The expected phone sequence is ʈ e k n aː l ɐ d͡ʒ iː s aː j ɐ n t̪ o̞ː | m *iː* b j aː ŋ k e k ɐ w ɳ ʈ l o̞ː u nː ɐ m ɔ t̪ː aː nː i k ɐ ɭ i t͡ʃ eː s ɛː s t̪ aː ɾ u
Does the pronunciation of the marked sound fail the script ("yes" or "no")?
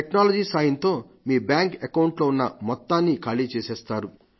no